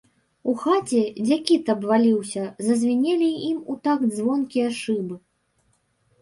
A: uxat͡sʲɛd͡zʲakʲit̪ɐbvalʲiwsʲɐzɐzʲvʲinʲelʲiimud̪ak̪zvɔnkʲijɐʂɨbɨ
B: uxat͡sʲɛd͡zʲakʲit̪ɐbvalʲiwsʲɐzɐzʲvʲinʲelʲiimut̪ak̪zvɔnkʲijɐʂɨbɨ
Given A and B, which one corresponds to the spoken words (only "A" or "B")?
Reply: B